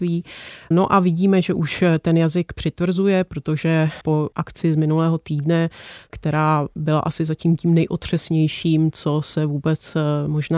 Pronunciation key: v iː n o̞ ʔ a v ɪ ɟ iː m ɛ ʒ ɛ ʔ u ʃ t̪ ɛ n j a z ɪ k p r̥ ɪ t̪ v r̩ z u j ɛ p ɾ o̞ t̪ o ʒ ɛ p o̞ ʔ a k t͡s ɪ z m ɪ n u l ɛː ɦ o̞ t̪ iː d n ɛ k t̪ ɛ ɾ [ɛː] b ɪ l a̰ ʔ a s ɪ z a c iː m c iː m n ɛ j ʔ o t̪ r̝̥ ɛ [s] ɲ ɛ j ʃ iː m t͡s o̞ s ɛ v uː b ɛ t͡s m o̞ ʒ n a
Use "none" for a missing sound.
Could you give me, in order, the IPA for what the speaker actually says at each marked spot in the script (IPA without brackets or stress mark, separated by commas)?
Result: aː, s